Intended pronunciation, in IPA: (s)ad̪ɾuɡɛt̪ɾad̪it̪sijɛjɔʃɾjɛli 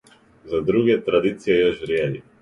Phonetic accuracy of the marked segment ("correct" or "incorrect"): incorrect